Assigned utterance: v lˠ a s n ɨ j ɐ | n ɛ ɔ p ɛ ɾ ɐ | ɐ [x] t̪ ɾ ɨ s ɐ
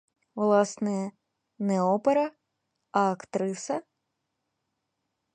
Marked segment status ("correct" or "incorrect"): incorrect